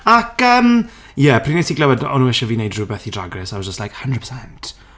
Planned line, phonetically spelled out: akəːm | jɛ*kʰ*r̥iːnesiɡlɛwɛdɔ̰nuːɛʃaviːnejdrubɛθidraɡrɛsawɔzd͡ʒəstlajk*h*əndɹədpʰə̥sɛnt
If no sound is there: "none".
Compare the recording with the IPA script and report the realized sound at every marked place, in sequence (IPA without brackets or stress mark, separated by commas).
pʰ, h